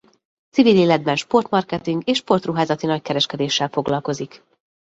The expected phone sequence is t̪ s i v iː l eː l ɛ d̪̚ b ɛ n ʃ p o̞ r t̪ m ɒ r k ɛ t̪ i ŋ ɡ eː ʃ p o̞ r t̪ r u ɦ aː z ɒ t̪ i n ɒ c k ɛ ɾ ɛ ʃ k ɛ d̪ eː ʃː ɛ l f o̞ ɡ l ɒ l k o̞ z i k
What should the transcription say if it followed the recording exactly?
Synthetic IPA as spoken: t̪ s i v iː l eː l ɛ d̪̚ b ɛ n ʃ p o̞ r t̪ m ɒ r k ɛ t̪ i ŋ ɡ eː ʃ p o̞ r t̪ r u ɦ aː z ɒ t̪ i n ɒ c k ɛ ɾ ɛ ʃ k ɛ d̪ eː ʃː ɛ l f o̞ ɡ l ɒ l k o̞ z i k